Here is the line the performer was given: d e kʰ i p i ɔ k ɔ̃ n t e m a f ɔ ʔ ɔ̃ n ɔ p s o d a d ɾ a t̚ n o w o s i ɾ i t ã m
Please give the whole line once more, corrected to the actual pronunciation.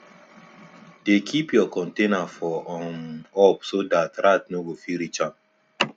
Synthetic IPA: d e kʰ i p j ɔ k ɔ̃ n t e n a f ɔ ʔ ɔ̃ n ɔ p s o d a t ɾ a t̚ n o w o f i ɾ i t͡ʃ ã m